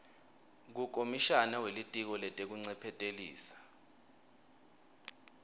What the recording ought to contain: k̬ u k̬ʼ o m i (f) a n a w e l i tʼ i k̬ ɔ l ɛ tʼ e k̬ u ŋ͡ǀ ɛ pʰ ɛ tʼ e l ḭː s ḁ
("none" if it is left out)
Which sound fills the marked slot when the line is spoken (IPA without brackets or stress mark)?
ʃ